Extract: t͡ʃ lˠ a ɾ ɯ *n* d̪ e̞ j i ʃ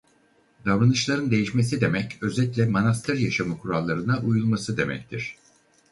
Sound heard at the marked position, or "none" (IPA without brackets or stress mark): n